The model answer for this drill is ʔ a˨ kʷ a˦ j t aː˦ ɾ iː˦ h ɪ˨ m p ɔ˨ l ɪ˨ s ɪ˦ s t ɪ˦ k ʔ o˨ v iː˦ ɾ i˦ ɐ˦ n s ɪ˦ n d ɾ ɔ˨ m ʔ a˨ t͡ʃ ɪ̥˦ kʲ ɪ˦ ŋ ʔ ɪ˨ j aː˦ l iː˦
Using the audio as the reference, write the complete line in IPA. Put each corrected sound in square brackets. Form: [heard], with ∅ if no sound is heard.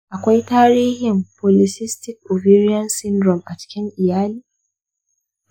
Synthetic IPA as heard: ʔ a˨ kʷ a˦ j t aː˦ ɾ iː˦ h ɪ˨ m p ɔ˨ l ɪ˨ s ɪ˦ s t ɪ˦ k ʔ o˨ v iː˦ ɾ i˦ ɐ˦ n s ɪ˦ n d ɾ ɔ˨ m ʔ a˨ t͡ʃ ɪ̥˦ kʲ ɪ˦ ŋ ʔ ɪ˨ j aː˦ l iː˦